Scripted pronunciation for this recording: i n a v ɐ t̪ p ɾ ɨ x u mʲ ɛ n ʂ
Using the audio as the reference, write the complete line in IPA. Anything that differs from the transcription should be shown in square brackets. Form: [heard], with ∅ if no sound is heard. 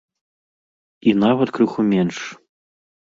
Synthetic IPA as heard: i n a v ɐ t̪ [k] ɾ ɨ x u mʲ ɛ n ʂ